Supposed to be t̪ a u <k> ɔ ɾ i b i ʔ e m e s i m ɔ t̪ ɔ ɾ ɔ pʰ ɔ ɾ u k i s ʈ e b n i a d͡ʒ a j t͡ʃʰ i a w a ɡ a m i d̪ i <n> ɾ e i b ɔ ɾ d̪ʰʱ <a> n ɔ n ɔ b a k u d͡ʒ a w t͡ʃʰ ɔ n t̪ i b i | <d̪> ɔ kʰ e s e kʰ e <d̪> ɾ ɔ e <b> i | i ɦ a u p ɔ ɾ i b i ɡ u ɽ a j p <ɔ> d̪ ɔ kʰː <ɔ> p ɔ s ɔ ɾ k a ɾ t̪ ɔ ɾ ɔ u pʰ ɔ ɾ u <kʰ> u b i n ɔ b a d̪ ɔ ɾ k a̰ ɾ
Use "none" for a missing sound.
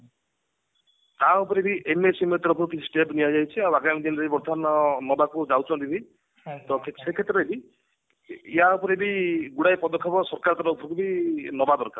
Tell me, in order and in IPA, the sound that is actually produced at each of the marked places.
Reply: p, n, a, t̪, t̪, b, ɔ, ɔ, k

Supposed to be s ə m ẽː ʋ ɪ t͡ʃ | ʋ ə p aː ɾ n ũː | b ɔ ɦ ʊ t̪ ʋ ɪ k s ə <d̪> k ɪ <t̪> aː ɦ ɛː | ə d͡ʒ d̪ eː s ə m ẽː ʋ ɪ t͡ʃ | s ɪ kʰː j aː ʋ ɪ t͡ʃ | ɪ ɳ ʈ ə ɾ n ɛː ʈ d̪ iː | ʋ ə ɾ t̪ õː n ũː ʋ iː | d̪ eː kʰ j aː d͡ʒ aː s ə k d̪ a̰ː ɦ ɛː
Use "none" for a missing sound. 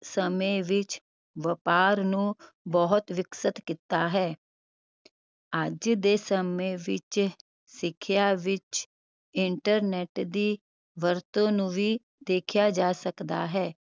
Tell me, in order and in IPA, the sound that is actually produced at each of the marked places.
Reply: t̪, t̪

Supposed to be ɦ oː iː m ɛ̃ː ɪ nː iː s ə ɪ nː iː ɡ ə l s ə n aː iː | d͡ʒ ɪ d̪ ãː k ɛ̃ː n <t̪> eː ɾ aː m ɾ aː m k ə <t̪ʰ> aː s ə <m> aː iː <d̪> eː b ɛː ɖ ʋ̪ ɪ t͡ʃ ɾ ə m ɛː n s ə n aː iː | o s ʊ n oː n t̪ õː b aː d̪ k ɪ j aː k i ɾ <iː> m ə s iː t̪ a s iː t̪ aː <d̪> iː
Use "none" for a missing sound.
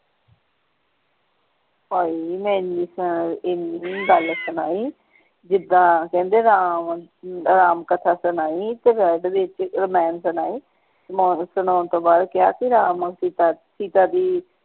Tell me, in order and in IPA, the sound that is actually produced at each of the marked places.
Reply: d̪, t̪ʰ, n, t̪, aː, d̪

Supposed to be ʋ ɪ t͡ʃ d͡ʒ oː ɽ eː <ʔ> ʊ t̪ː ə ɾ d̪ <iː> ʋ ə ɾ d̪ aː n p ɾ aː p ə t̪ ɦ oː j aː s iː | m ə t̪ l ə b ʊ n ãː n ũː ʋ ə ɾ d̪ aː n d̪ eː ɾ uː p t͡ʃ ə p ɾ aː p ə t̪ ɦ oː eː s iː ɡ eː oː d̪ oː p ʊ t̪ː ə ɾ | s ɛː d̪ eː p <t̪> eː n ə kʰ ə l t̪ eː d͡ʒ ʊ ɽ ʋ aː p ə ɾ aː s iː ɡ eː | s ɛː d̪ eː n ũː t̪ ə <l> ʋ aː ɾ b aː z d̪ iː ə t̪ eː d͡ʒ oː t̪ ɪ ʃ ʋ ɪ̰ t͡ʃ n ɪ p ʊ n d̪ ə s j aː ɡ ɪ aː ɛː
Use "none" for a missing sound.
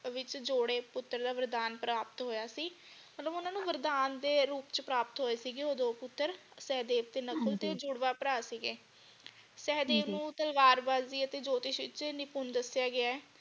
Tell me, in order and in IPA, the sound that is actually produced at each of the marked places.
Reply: p, aː, t̪, l

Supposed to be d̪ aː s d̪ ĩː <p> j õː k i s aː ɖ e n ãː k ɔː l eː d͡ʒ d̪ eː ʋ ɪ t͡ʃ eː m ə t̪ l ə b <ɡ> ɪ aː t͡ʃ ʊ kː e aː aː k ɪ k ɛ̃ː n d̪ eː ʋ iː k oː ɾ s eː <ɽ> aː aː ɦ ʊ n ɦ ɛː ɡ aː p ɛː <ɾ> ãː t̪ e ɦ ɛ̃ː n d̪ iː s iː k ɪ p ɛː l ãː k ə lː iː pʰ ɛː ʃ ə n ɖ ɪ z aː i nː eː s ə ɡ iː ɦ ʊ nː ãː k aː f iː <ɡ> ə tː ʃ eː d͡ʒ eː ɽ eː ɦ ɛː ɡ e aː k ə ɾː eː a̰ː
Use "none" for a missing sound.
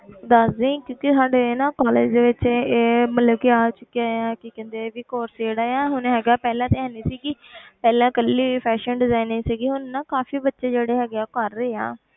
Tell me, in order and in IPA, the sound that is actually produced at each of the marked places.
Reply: k, k, ɽ, l, b

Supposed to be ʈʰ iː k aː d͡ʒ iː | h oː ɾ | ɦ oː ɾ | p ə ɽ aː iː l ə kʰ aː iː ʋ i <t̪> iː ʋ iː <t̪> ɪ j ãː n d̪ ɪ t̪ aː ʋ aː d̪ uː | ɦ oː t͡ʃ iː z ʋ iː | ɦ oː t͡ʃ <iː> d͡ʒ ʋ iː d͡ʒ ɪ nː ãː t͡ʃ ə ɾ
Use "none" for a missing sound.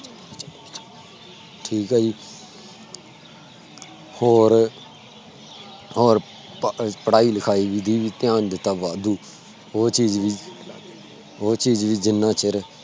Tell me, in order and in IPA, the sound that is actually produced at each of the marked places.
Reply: d̪, t̪, iː

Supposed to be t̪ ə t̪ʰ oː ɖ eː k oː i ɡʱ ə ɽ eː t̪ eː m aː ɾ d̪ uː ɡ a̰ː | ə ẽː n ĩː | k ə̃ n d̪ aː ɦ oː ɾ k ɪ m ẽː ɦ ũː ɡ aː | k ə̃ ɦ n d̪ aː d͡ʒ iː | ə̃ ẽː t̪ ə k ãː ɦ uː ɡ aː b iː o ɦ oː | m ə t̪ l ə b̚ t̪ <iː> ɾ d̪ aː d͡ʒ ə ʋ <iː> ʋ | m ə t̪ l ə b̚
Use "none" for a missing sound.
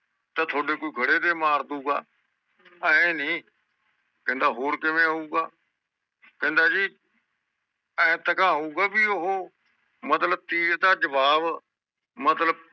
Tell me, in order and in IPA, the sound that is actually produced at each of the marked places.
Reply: iː, aː

